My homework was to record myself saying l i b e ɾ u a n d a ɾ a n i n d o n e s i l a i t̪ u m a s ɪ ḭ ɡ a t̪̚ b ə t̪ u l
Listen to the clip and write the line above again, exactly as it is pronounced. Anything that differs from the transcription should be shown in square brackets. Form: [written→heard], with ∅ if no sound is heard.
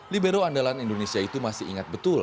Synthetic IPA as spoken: l i b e ɾ [u→o] a n d a [ɾ→l] a n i n d o n e s i [l→∅] a i t̪ u m a s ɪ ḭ [ɡ→ŋ] a t̪̚ b ə t̪ u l

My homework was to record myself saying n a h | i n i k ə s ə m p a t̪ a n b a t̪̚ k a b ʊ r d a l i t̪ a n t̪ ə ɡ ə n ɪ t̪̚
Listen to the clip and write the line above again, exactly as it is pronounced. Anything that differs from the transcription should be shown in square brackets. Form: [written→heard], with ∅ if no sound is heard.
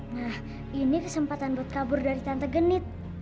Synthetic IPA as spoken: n a h | i n i k ə s ə m p a t̪ a n b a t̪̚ k a b ʊ r d a [l→ɾ] i t̪ a n t̪ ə ɡ ə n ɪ t̪̚

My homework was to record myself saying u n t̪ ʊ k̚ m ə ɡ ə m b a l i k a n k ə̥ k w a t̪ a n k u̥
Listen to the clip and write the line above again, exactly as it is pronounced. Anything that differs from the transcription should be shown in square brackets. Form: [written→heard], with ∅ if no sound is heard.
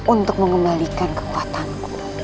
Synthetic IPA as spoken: u n t̪ ʊ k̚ m ə [ɡ→ŋ] ə m b a l i k a n k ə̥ k [w→u] a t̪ a n k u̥

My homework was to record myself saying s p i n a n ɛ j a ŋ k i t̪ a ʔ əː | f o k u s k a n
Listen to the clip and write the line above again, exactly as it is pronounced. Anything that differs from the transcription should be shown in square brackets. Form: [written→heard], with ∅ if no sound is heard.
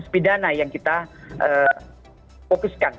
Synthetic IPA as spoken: s p i [n→d] a n [ɛ→a] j a ŋ k i t̪ a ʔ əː | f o k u s k a n

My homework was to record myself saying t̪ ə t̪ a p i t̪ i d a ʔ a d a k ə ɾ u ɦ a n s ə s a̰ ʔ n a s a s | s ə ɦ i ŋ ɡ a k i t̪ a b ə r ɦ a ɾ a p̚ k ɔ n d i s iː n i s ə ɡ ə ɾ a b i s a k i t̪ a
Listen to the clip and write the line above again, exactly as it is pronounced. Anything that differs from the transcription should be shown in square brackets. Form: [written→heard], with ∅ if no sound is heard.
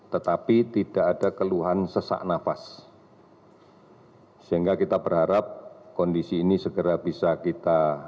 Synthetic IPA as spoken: t̪ ə t̪ a p i t̪ i d a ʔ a d a k ə [ɾ→l] u ɦ a n s ə s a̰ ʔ n a [s→f] a s | s ə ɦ i ŋ ɡ a k i t̪ a b ə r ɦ a ɾ a p̚ k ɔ n d i s iː n i s ə ɡ ə ɾ a b i s a k i t̪ a

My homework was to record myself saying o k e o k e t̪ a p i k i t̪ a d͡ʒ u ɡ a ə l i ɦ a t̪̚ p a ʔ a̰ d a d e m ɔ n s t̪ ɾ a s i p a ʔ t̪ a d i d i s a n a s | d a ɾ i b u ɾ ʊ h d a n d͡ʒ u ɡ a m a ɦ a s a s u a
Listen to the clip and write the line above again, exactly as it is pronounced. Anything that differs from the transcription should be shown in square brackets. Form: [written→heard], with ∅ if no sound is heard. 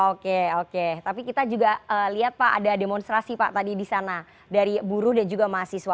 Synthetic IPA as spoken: o k e o k e t̪ a p i k i t̪ a d͡ʒ u ɡ a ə l i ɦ a t̪̚ p a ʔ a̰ d a d e m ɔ n s t̪ ɾ a s i p a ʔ t̪ a d i d i s a n a [s→∅] | d a ɾ i b u ɾ ʊ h d a n d͡ʒ u ɡ a m a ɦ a s [a→i] s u a

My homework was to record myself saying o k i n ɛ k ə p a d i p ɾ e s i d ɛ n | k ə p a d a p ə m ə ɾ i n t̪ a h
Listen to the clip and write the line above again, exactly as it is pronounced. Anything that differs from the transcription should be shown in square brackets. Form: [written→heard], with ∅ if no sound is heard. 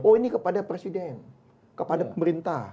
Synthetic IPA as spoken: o [k→∅] i n [ɛ→i] k ə p a d [i→a] p ɾ e s i d ɛ n | k ə p a d a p ə m ə ɾ i n t̪ a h

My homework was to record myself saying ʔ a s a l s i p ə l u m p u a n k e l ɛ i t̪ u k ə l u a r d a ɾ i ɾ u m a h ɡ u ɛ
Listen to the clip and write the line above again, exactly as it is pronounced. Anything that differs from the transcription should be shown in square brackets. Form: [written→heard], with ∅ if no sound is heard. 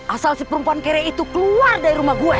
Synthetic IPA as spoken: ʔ a s a l s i p ə [l→ɾ] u m p u a n k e [l→ɾ] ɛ i t̪ u k ə l u a r d a ɾ i ɾ u m a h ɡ u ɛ

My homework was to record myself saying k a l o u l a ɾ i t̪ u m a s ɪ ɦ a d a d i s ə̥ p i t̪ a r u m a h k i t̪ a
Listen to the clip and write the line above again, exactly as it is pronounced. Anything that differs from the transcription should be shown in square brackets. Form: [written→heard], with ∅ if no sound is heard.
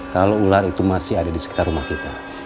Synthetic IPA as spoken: k a l o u l a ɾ i t̪ u m a s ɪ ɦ a d a d i s ə̥ [p→k] i t̪ a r u m a h k i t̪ a

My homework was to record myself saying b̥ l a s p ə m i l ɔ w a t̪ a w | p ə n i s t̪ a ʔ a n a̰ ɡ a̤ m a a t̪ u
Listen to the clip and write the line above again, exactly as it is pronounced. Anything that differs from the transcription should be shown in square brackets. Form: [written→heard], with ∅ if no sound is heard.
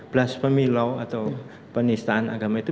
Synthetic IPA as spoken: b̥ l a s p ə m i l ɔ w a t̪ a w | p ə n i s t̪ a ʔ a n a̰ ɡ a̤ m a [a→i] t̪ u

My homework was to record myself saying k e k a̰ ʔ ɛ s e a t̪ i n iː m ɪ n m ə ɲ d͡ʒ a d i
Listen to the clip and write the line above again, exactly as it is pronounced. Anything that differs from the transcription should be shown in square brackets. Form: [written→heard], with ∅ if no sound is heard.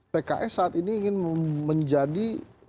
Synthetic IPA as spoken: [k→p] e k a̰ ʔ ɛ s [e→a] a t̪ i n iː [m→ŋ] ɪ n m ə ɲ d͡ʒ a d i

